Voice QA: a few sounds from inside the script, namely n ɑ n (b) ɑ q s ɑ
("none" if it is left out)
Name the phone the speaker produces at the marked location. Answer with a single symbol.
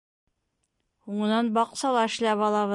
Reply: b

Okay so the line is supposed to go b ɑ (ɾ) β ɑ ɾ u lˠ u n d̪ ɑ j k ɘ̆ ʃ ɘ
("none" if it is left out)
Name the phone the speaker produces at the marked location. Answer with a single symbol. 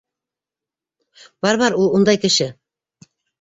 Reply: ɾ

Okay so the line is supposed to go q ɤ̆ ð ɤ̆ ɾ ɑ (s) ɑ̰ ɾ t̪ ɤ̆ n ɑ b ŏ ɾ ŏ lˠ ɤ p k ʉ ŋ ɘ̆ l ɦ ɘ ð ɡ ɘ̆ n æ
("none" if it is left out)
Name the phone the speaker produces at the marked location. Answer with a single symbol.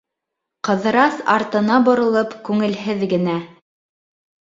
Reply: s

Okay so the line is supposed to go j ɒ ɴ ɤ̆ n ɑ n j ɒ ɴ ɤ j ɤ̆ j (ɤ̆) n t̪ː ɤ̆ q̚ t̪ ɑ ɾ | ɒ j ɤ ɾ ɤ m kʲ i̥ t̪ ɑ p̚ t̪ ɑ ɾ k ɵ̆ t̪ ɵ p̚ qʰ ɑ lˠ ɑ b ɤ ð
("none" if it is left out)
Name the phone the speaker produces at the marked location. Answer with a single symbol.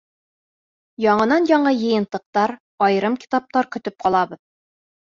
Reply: ɤ̆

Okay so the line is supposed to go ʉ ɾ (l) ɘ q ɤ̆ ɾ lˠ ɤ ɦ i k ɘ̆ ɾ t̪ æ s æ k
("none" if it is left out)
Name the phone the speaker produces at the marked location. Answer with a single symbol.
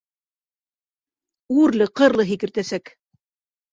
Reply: l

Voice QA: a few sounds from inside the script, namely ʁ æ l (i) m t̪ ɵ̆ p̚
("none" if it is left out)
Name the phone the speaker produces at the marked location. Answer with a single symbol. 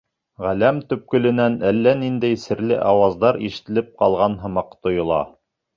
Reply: æ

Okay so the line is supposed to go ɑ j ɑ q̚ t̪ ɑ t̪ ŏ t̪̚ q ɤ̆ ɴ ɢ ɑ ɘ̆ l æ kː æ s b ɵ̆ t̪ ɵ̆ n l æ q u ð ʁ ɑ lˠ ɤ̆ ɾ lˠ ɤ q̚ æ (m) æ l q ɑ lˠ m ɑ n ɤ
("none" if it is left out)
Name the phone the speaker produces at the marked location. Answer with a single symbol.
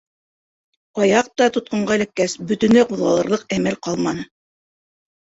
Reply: m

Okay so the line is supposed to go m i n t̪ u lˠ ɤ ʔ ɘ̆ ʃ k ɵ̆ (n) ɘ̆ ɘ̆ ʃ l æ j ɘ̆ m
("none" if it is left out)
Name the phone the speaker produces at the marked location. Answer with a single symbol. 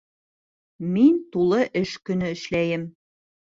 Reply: n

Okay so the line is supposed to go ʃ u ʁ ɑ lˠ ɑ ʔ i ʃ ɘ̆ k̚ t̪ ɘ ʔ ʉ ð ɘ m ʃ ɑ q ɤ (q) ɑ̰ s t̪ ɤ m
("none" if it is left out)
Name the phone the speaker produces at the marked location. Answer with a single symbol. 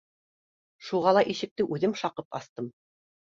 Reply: p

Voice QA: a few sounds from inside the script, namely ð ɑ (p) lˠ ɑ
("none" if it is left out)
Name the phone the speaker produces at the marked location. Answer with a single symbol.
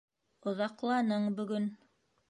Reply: q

